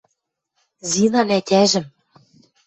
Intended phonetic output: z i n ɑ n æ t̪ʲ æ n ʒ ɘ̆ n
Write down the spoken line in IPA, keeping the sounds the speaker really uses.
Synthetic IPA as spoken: z i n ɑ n æ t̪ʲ æ ʒ ɘ̆ m